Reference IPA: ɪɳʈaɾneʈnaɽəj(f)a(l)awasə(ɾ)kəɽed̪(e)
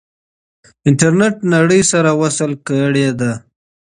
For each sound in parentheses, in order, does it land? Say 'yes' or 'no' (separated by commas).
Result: no, no, no, no